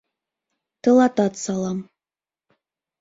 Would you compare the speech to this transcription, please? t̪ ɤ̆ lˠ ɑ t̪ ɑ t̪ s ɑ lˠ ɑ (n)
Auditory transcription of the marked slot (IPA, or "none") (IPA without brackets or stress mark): m